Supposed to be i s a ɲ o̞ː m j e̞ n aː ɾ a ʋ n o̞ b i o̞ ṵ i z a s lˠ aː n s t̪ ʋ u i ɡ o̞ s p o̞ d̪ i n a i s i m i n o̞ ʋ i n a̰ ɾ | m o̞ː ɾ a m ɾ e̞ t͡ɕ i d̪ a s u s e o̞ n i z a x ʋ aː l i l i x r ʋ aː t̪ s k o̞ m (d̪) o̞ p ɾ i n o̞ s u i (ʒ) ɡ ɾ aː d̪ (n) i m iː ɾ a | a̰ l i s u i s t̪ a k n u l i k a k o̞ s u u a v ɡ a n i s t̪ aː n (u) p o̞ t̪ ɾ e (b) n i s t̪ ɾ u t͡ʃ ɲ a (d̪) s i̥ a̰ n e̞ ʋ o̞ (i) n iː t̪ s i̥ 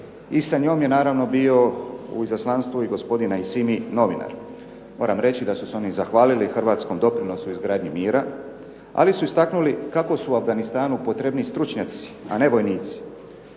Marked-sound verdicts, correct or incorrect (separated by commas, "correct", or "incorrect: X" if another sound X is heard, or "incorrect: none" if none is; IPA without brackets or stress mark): correct, incorrect: z, incorrect: ɲ, correct, correct, incorrect: t̪, incorrect: j